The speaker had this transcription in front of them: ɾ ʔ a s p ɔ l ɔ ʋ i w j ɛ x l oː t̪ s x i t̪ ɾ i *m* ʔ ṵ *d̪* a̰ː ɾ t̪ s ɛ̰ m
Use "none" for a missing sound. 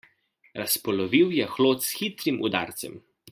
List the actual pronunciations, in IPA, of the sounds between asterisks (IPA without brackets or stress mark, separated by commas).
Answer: m, d̪